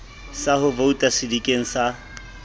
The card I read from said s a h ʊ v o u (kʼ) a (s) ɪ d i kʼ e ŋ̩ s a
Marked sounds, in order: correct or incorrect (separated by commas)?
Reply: incorrect, correct